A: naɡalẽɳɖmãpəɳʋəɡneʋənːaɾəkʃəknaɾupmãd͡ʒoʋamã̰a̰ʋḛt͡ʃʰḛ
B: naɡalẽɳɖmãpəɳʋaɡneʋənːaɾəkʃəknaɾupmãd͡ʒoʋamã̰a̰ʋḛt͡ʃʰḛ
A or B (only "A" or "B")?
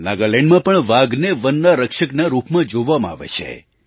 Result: B